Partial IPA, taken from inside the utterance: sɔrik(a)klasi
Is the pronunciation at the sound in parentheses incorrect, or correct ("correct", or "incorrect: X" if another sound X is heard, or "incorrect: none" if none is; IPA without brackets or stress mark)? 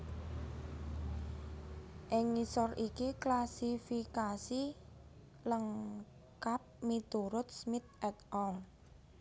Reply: incorrect: i